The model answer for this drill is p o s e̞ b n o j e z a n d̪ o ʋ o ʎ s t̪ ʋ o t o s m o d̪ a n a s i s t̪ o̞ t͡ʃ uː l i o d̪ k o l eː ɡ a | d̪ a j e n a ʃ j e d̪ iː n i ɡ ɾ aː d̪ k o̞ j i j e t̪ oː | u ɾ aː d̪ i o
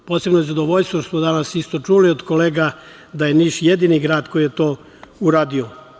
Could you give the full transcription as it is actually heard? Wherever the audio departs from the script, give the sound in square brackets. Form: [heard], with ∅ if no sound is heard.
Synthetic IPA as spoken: p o s e̞ b n o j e z a [∅] d̪ o ʋ o ʎ s t̪ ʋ o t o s m o d̪ a n a s i s t̪ o̞ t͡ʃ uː l i o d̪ k o l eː ɡ a | d̪ a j e n [i] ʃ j e d̪ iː n i ɡ ɾ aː d̪ k o̞ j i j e t̪ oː | u ɾ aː d̪ i o

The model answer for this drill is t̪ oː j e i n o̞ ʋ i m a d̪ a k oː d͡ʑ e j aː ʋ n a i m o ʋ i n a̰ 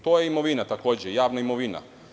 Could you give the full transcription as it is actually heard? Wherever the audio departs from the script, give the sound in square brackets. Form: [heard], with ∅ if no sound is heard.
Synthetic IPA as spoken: t̪ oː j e i [m] o̞ ʋ i [n] a [t̪] a k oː d͡ʑ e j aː ʋ n a i m o ʋ i n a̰

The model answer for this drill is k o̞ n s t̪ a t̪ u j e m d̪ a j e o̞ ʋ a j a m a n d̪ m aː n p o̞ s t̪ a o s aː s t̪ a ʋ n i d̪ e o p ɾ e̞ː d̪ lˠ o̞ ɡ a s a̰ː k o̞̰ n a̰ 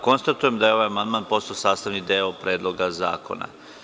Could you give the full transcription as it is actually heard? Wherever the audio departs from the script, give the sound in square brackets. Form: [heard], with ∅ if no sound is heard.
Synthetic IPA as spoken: k o̞ n s t̪ a t̪ u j e m d̪ a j e o̞ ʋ a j a m a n d̪ m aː n p o̞ s t̪ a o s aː s t̪ a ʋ n i d̪ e o p ɾ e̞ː d̪ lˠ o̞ ɡ a [z] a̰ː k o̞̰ n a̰

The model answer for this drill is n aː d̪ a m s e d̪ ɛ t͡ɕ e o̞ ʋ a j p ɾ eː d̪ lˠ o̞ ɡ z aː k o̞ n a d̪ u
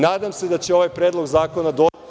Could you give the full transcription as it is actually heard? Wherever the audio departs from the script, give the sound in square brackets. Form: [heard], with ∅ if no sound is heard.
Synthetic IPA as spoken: n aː d̪ a m s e d̪ [a] t͡ɕ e o̞ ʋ a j p ɾ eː d̪ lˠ o̞ ɡ z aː k o̞ n a d̪ [o]

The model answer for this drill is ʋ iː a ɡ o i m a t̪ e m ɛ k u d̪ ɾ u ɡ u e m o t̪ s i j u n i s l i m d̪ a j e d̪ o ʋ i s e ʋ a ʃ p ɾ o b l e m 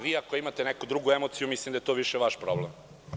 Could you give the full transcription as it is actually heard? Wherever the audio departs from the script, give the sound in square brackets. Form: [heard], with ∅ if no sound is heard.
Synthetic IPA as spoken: ʋ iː a [k] o i m a t̪ e [n] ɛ k u d̪ ɾ u ɡ u e m o t̪ s i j u [m] i s l i m d̪ a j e [t̪] o ʋ i [ʃ] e ʋ a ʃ p ɾ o b l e m

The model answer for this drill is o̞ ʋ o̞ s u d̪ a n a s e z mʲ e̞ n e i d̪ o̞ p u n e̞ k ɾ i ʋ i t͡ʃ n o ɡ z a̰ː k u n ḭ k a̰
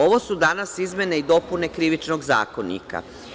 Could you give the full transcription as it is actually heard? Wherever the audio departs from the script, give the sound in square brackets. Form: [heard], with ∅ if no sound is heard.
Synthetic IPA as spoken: o̞ ʋ o̞ s u d̪ a n a s [i] z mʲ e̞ n e i d̪ o̞ p u n e̞ k ɾ i ʋ i t͡ʃ n o ɡ z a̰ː k [o] n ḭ k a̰

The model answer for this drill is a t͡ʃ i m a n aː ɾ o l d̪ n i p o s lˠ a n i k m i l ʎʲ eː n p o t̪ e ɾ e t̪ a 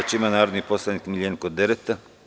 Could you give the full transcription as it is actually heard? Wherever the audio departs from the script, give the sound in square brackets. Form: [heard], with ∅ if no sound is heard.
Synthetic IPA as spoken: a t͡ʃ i m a n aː ɾ o [∅] d̪ n i p o s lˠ a n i k m i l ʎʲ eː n [k] o [d̪] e ɾ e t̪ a

